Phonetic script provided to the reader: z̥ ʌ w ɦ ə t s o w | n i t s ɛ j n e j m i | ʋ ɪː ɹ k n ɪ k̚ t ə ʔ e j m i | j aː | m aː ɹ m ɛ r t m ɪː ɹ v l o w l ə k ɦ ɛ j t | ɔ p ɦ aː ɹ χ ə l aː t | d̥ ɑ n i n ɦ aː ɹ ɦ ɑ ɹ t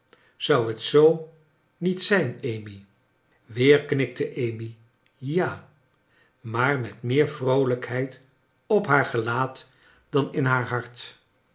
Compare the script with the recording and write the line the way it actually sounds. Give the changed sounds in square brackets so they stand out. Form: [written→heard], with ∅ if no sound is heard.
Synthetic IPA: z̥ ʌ w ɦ ə t s o w | n i t s ɛ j n e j m i | ʋ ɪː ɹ k n ɪ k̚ t ə ʔ e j m i | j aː | m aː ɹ m ɛ [r→∅] t m ɪː ɹ v [l→r] o w l ə k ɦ ɛ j t | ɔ p ɦ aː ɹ χ ə l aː t | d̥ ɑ n [i→ɪ] n ɦ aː ɹ ɦ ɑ ɹ t